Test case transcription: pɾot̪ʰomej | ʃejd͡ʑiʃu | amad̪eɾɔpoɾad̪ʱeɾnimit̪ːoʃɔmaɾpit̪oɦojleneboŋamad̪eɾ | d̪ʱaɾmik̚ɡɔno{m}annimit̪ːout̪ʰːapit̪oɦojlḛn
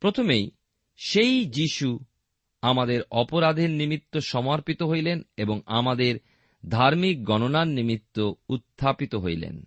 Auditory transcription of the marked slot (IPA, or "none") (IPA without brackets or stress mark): n